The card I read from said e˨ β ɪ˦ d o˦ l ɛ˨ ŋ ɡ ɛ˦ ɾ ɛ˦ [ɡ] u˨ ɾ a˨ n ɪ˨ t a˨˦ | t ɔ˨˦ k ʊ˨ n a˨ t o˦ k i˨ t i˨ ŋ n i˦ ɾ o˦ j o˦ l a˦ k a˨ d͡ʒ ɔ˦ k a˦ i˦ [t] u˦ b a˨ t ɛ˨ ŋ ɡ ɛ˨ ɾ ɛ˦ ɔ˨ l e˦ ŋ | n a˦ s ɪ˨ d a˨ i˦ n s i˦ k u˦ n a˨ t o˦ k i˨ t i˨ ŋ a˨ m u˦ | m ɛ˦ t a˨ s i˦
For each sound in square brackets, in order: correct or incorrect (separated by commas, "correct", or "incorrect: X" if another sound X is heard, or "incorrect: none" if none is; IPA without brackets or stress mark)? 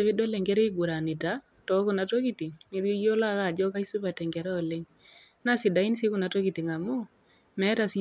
correct, incorrect: s